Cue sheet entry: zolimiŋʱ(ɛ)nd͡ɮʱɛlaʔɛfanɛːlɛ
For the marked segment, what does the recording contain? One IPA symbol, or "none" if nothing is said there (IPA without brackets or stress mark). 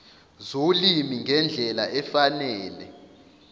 ɛ